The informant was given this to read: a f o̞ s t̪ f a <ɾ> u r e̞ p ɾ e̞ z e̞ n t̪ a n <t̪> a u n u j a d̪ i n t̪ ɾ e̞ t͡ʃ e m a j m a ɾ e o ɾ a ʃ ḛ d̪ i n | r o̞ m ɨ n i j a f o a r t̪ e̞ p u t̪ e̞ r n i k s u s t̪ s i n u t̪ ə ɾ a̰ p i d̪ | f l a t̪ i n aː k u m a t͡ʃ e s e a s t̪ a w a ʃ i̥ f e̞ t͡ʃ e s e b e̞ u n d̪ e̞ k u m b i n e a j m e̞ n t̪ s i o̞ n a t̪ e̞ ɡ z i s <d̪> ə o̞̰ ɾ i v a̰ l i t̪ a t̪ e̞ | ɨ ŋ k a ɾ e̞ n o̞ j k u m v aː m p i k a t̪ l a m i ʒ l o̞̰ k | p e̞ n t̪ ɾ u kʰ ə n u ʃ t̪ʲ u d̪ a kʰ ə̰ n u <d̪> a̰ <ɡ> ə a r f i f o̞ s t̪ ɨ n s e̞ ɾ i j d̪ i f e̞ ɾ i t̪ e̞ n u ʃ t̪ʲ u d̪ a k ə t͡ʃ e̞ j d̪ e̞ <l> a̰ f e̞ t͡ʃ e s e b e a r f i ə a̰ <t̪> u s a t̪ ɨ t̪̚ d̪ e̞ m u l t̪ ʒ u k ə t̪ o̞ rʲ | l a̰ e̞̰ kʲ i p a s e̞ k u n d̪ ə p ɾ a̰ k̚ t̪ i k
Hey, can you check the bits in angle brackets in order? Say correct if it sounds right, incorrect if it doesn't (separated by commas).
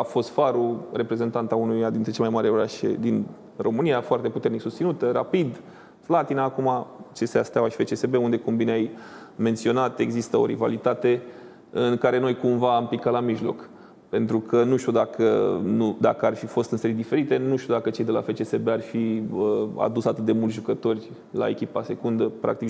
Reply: correct, correct, incorrect, correct, incorrect, correct, incorrect